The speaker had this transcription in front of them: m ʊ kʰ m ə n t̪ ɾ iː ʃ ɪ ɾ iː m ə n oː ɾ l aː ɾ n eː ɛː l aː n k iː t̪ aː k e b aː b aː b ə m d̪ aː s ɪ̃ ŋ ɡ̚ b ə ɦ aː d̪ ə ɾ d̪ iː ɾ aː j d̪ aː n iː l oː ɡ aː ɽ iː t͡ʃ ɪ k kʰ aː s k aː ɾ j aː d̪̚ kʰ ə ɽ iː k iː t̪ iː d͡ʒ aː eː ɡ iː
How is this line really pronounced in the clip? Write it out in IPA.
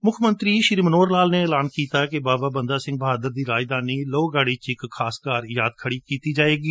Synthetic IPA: m ʊ kʰ m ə n t̪ ɾ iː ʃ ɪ ɾ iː m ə n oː ɾ l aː l n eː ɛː l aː n k iː t̪ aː k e b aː b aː b ə n d̪ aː s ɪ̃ ŋ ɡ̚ b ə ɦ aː d̪ ə ɾ d̪ iː ɾ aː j d̪ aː n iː l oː ɡ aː ɽ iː t͡ʃ ɪ k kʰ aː s k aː ɾ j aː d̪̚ kʰ ə ɽ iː k iː t̪ iː d͡ʒ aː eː ɡ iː